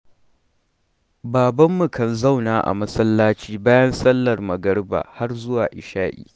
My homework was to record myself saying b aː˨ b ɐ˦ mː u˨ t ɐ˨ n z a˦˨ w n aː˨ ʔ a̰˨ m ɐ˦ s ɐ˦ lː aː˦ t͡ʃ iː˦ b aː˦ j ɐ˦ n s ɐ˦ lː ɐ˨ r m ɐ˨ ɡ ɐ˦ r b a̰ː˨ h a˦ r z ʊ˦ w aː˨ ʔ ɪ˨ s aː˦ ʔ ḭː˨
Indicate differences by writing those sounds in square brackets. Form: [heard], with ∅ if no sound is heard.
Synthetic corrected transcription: b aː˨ b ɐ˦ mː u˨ [k] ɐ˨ n z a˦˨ w n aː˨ ʔ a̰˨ m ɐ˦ s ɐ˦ lː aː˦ t͡ʃ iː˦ b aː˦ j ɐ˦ n s ɐ˦ lː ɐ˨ r m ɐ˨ ɡ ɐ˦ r b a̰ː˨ h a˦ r z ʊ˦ w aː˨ ʔ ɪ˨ [ʃ] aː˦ ʔ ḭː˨